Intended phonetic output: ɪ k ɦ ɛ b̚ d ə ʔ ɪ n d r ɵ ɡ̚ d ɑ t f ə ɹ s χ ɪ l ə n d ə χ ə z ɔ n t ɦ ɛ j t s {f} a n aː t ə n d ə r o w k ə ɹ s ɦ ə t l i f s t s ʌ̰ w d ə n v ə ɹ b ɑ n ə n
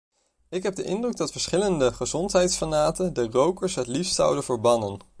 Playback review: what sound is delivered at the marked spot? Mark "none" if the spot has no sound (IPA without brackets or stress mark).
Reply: f